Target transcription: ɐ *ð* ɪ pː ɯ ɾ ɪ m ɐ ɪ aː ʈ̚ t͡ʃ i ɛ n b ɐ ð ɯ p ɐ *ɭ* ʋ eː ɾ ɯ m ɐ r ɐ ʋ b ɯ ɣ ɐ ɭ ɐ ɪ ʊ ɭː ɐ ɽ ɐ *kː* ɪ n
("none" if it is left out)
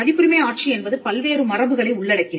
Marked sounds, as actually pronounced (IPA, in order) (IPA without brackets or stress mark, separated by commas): ð, l, kː